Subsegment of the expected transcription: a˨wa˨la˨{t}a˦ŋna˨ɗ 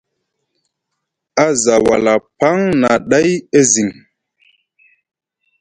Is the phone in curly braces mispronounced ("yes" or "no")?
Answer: yes